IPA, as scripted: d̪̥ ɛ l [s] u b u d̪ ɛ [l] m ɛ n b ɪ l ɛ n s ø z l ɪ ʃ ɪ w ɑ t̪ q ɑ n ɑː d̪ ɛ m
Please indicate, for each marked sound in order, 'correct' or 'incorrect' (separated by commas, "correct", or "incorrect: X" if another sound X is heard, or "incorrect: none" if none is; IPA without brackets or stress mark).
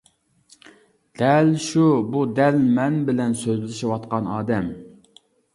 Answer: incorrect: ʃ, correct